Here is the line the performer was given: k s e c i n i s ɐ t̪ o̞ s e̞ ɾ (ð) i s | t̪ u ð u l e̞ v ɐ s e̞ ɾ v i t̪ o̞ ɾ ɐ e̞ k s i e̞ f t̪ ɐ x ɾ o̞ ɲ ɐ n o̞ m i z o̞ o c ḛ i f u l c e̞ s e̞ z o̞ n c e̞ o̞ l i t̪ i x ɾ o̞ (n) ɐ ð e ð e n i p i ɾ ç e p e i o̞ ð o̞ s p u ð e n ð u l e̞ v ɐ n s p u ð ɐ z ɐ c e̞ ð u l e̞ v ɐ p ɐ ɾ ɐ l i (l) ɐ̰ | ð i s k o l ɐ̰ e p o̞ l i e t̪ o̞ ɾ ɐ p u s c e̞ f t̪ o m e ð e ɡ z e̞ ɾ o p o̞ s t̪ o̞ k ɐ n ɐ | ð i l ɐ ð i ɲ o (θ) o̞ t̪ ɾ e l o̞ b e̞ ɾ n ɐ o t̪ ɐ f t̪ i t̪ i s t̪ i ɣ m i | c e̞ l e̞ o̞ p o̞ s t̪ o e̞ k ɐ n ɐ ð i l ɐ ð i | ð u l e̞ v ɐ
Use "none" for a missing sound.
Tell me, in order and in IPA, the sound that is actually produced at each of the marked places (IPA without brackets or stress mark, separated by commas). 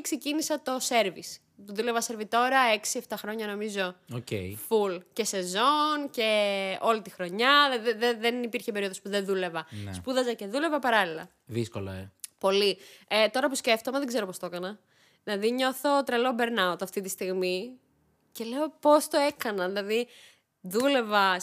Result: v, ɲ, l, θ